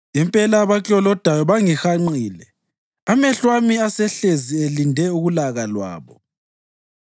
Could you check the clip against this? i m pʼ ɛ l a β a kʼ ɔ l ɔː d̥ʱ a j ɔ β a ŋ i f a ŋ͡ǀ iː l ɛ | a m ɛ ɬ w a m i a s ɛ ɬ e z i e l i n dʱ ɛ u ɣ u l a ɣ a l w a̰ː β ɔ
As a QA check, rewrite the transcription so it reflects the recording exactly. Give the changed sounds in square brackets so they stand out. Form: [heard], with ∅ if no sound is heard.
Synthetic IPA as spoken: i m pʼ ɛ l a β a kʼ ɔ l [ɔ] d̥ʱ a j ɔ β a ŋ i [x] a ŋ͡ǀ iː l ɛ | a m ɛ ɬ w a m i a s ɛ ɬ e z i e l i n dʱ ɛ u ɣ u l a ɣ a l w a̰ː β ɔ